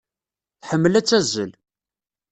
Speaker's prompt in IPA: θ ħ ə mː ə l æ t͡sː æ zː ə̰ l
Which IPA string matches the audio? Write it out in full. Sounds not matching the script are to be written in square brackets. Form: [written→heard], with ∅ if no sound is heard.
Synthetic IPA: θ ħ ə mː ə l æ t͡sː æ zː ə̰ l